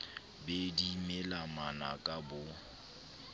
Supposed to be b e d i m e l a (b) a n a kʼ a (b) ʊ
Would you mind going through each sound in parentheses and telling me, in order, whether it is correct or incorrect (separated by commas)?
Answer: incorrect, correct